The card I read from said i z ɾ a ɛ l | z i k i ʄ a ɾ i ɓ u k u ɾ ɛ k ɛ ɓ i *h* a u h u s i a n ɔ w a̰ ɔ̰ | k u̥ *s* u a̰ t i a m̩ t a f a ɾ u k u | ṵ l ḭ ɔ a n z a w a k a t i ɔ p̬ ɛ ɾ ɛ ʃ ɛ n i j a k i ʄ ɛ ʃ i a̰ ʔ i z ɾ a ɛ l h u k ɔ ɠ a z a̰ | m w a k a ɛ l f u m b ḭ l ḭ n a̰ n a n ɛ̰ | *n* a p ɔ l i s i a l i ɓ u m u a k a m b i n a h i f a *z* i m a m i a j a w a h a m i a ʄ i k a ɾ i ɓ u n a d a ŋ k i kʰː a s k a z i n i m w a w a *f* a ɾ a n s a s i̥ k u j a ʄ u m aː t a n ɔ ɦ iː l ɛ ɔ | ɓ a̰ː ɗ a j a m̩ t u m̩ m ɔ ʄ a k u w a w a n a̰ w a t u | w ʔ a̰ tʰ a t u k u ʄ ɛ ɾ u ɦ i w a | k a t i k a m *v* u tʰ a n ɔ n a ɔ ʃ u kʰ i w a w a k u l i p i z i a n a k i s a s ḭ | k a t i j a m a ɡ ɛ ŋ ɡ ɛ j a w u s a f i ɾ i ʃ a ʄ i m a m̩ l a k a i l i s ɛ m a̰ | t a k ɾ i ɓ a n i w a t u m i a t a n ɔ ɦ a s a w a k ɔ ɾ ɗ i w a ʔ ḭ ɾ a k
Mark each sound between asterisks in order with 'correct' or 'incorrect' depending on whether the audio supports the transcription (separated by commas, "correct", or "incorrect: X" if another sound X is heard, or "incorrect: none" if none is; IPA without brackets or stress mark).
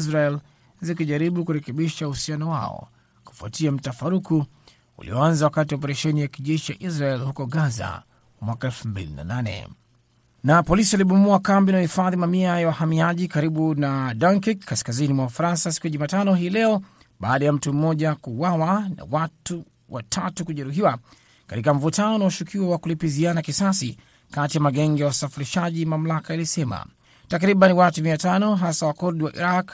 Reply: incorrect: ʃ, incorrect: f, correct, incorrect: ð, correct, correct